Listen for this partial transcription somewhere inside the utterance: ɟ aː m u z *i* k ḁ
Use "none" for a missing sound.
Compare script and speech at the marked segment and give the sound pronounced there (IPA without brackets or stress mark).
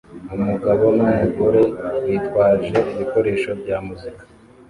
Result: i